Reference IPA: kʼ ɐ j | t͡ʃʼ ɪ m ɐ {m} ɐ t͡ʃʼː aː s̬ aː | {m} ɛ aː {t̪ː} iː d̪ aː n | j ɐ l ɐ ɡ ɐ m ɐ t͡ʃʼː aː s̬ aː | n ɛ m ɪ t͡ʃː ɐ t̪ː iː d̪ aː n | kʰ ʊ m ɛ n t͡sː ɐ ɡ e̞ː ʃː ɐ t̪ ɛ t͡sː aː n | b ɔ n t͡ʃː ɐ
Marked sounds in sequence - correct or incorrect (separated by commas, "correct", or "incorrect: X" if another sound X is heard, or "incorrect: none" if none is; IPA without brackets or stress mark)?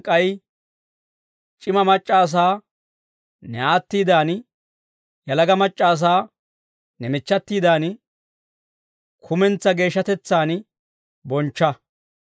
correct, incorrect: n, correct